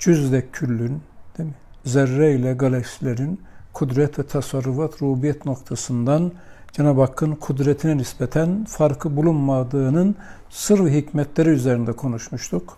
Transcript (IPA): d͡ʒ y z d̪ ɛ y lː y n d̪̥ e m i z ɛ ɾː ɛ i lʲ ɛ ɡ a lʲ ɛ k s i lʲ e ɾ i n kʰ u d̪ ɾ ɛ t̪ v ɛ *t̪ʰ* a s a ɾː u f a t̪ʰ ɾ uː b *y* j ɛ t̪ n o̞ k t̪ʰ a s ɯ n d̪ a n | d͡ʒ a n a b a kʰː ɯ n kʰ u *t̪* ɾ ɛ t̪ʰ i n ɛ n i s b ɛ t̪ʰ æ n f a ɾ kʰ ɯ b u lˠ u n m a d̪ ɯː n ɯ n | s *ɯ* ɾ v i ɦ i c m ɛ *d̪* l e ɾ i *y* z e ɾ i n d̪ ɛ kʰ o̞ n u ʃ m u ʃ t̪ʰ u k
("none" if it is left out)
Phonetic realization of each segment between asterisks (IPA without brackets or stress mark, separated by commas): t̪ʰ, i, d̪, ɯ, t̪, y